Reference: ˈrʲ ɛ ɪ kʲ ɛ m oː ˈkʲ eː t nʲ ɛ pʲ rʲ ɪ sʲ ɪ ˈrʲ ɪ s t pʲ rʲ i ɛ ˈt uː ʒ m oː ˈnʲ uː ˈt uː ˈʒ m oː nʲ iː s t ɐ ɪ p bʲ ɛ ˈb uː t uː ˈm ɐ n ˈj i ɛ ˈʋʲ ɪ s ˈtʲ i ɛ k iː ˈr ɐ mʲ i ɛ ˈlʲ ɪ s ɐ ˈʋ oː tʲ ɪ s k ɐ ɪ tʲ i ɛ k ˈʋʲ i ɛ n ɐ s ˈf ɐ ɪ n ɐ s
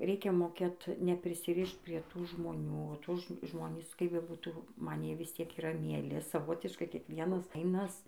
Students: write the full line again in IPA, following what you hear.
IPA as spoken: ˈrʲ ɛ ɪ kʲ ɛ m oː ˈkʲ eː t nʲ ɛ pʲ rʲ ɪ sʲ ɪ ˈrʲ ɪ ʃ t pʲ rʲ i ɛ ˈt uː ʒ m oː ˈnʲ uː ˈt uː ˈʒ m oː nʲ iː s k ɐ ɪ p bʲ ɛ ˈb uː t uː ˈm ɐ n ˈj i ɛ ˈʋʲ ɪ s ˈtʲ i ɛ k iː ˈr ɐ mʲ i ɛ ˈlʲ ɪ s ɐ ˈʋ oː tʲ ɪ ʃ k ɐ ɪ kʲ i ɛ k ˈʋʲ i ɛ n ɐ s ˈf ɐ ɪ n ɐ s

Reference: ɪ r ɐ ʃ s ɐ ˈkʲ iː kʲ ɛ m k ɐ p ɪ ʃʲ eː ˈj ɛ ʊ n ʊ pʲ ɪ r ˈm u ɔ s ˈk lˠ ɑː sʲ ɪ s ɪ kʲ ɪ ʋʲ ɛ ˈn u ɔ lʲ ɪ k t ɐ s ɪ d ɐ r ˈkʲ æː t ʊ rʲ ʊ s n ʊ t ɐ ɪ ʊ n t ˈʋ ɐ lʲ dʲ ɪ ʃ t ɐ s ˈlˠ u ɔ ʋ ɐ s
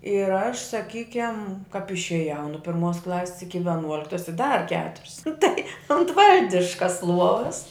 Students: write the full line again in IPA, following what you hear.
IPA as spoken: ɪ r ɐ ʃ s ɐ ˈkʲ iː kʲ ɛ m k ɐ p ɪ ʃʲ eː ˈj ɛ ʊ n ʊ pʲ ɪ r ˈm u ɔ s ˈk lˠ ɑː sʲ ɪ s ɪ kʲ ɪ ʋʲ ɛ ˈn u ɔ lʲ ɪ k t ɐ s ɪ d ɐ r ˈkʲ æː t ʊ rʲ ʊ s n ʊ t ɐ ɪ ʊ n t ˈʋ ɐ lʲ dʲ ɪ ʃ k ɐ s ˈlˠ u ɔ ʋ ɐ s

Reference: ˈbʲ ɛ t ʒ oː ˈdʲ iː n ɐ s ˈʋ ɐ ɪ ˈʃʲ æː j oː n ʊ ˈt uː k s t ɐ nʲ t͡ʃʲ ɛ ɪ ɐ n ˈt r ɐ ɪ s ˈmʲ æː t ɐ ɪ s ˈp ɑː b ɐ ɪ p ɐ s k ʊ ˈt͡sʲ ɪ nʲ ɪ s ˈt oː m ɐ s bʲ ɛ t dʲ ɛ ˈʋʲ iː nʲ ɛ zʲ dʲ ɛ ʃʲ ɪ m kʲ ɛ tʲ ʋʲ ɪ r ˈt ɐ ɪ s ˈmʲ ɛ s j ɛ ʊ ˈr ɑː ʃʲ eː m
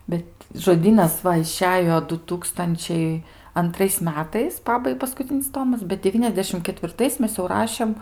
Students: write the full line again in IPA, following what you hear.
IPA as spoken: ˈbʲ ɛ t ʒ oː ˈdʲ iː n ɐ s ˈʋ ɐ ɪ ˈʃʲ æː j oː d ʊ ˈt uː k s t ɐ nʲ t͡ʃʲ ɛ ɪ ɐ n ˈt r ɐ ɪ s ˈmʲ æː t ɐ ɪ s ˈp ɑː b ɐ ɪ p ɐ s k ʊ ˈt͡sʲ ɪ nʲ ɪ s ˈt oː m ɐ s bʲ ɛ t dʲ ɛ ˈʋʲ iː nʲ ɛ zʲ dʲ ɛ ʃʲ ɪ m kʲ ɛ tʲ ʋʲ ɪ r ˈt ɐ ɪ s ˈmʲ ɛ s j ɛ ʊ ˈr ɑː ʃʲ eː m

